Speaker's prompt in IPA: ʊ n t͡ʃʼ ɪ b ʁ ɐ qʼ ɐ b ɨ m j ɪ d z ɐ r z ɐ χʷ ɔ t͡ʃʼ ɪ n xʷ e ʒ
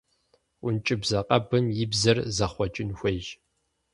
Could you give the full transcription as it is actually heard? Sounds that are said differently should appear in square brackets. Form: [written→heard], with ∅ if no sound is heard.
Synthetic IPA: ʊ n t͡ʃʼ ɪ b [ʁ→z] ɐ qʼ ɐ b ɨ m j ɪ [d→b] z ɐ r z ɐ χʷ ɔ t͡ʃʼ ɪ n xʷ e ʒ